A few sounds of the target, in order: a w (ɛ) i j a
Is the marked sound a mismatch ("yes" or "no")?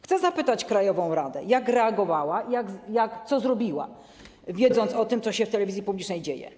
yes